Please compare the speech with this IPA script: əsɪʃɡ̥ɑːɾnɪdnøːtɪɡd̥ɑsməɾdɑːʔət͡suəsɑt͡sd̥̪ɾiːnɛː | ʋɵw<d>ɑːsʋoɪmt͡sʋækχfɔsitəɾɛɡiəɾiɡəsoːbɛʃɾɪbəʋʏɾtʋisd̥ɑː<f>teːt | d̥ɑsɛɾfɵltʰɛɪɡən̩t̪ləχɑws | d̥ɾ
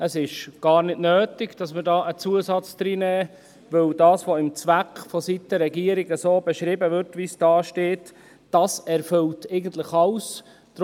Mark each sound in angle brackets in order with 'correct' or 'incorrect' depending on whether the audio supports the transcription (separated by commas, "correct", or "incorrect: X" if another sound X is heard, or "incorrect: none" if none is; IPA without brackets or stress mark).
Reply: correct, incorrect: ʃ